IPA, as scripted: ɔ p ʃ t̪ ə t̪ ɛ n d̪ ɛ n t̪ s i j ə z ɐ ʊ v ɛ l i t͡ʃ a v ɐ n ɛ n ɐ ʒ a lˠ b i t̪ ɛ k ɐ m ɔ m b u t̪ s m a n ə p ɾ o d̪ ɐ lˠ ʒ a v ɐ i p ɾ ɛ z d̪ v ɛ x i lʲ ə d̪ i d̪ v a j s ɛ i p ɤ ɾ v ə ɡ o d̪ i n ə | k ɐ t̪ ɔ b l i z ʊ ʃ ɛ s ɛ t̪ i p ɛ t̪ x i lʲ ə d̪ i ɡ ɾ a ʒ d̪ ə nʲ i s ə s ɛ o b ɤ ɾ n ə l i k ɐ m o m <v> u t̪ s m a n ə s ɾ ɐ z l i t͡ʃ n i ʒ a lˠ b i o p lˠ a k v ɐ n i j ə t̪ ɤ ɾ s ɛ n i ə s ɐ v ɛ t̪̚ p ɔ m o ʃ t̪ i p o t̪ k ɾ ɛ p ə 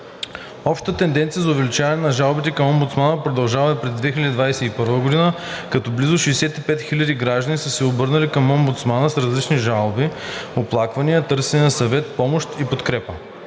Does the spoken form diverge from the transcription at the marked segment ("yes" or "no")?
yes